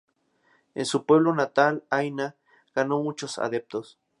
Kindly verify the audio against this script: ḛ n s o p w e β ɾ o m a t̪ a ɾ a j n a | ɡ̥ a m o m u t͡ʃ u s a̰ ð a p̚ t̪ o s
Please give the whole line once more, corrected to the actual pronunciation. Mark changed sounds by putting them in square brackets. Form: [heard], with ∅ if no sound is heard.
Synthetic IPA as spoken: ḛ n s [u] p w e β [l] o [n] a t̪ a [l] a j n a | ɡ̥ a [n] o m u t͡ʃ [o] s a̰ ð [e] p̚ t̪ o s

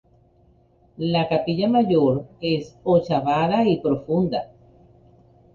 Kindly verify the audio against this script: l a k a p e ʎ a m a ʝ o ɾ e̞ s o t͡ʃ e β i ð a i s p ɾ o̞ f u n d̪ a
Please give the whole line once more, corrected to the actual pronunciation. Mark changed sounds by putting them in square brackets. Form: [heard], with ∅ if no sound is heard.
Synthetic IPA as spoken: l a k a p [i] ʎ a m a ʝ o ɾ e̞ s o t͡ʃ [a] β [a] ð a i [∅] p ɾ o̞ f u n d̪ a

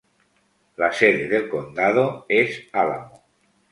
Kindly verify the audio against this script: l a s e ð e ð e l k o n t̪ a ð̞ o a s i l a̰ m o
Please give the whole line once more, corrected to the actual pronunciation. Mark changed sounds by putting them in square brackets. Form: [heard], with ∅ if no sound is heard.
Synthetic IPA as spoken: l a s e ð e ð e l k o n [d̪] a ð̞ o [e] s [a] l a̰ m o

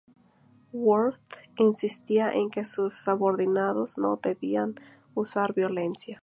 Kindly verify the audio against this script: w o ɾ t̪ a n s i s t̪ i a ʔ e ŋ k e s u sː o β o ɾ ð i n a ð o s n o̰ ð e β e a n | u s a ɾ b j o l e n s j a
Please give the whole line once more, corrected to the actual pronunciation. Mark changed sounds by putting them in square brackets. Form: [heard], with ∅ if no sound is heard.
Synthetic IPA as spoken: w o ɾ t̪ [i] n s i s t̪ i a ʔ e ŋ k e s u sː o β o ɾ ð i n a ð o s n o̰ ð e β [i] a n | u s a ɾ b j o l e n s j a

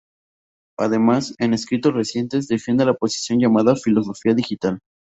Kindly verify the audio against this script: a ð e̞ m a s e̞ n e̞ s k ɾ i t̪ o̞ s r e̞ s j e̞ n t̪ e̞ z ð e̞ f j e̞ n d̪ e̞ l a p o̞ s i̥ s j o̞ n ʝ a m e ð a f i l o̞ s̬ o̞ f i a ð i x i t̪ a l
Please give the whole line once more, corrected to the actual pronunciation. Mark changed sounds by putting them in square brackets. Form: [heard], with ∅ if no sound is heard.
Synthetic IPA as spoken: a ð e̞ m a s e̞ n e̞ s k ɾ i t̪ o̞ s r e̞ s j e̞ n t̪ e̞ z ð e̞ f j e̞ n d̪ e̞ l a p o̞ s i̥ s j o̞ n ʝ a m [a] ð a f i l o̞ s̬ o̞ f i a ð i x i t̪ a l

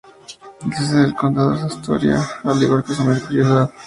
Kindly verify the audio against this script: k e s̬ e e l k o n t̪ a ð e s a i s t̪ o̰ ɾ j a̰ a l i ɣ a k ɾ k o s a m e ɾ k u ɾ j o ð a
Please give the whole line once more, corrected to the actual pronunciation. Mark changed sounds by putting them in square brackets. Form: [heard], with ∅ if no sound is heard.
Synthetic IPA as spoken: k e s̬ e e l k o n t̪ a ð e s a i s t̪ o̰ ɾ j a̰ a l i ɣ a [∅] ɾ k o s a m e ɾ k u ɾ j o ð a

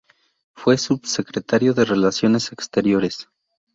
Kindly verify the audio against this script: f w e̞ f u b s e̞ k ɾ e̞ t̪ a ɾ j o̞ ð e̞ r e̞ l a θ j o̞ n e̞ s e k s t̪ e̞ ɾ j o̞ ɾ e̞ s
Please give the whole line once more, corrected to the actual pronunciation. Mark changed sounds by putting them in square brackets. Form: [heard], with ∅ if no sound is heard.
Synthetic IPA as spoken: f w e̞ [s] u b s e̞ k ɾ e̞ t̪ a ɾ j o̞ ð e̞ r e̞ l a [s] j o̞ n e̞ s e k s t̪ e̞ ɾ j o̞ ɾ e̞ s

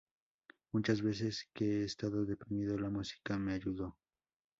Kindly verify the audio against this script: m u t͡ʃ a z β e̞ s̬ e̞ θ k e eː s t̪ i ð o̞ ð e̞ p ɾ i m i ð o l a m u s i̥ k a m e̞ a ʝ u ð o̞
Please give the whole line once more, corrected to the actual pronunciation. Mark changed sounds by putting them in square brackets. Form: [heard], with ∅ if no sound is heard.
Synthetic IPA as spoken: m u t͡ʃ a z β e̞ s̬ e̞ [s] k e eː s t̪ [a] ð o̞ ð e̞ p ɾ i m i ð o l a m u s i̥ k a m e̞ a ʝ u ð o̞

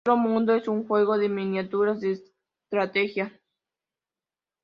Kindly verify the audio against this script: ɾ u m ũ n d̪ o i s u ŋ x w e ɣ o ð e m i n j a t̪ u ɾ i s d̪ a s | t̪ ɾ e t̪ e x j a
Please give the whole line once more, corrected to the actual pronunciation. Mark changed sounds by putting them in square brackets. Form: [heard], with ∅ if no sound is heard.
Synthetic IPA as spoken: ɾ [o] m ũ n d̪ o [e] s u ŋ x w e ɣ o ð e m i n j a t̪ u ɾ [a] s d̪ [e] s | t̪ ɾ [a] t̪ e x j a

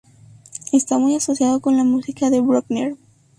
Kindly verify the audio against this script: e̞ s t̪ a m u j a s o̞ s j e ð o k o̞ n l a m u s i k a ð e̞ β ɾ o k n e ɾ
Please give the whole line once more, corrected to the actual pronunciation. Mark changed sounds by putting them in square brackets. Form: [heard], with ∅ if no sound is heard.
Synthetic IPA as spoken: e̞ s t̪ a m u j a s o̞ s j [a] ð o k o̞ n l a m u s i k a ð e̞ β ɾ o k n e ɾ

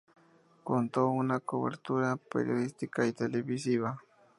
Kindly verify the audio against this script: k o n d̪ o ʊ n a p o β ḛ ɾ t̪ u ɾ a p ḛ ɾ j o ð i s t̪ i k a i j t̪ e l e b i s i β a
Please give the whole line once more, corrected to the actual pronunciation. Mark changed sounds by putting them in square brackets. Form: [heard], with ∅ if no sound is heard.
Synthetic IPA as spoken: k o n [t̪] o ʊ n a [k] o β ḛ ɾ t̪ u ɾ a p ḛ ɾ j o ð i s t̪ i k a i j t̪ e l e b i s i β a

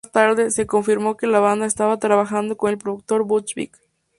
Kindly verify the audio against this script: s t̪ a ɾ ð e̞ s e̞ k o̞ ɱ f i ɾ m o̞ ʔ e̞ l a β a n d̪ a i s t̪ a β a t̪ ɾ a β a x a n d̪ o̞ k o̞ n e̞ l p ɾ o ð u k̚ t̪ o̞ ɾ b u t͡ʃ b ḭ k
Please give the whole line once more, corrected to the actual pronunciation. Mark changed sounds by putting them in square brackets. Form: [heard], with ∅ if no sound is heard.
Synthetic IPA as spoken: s t̪ a ɾ ð e̞ s e̞ k o̞ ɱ f i ɾ m o̞ [k] e̞ l a β a n d̪ a [e] s t̪ a β a t̪ ɾ a β a x a n d̪ o̞ k o̞ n e̞ l p ɾ o ð u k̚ t̪ o̞ ɾ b u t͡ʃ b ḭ k

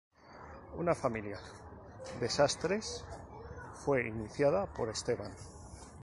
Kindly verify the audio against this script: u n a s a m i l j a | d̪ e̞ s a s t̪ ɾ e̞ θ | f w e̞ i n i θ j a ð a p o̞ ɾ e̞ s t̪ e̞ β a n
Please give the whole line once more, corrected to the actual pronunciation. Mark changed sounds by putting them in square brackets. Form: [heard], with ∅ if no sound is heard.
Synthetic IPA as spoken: u n a [f] a m i l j a | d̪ e̞ s a s t̪ ɾ e̞ [s] | f w e̞ i n i θ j a ð a p o̞ ɾ e̞ s t̪ e̞ β a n

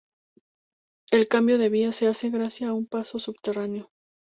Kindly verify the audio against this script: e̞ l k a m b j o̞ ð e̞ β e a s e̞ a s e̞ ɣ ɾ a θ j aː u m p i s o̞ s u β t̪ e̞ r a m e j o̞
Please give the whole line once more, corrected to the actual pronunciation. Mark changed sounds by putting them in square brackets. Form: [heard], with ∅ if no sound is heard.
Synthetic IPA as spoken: e̞ l k a m b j o̞ ð e̞ β [i] a s e̞ a s e̞ ɣ ɾ a [s] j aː u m p [a] s o̞ s u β t̪ e̞ r a [n] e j o̞

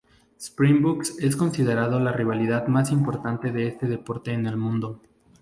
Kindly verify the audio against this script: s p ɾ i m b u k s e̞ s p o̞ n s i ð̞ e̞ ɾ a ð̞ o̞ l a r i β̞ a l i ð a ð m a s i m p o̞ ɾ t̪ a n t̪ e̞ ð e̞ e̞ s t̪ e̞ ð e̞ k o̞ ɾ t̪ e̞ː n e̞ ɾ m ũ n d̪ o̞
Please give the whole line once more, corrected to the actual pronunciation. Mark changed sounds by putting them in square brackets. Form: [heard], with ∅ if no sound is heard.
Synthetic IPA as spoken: s p ɾ i m b u k s e̞ s [k] o̞ n s i ð̞ e̞ ɾ a ð̞ o̞ l a r i β̞ a l i ð a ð m a s i m p o̞ ɾ t̪ a n t̪ e̞ ð e̞ e̞ s t̪ e̞ ð e̞ [p] o̞ ɾ t̪ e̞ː n e̞ [l] m ũ n d̪ o̞

